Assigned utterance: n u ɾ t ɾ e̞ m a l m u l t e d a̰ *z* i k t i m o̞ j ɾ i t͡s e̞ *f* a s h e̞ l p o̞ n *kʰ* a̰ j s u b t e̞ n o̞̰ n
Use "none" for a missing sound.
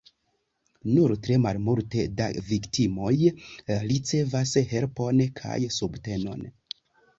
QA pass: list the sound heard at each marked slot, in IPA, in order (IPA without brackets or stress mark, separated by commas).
v, v, kʰ